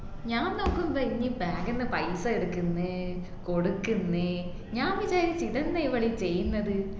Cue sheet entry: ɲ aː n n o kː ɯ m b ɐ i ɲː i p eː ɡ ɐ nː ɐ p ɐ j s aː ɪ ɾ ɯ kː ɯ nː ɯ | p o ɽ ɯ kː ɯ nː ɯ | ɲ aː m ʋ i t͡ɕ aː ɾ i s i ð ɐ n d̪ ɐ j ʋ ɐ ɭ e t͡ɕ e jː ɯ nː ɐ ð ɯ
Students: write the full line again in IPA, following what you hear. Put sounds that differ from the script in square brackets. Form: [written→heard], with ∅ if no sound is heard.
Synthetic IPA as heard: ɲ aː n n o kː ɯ m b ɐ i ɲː i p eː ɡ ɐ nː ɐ p ɐ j s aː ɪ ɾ ɯ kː ɯ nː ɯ | [p→k] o ɽ ɯ kː ɯ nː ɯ | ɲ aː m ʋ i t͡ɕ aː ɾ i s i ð ɐ n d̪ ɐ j ʋ ɐ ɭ [e→i] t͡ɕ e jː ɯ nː ɐ ð ɯ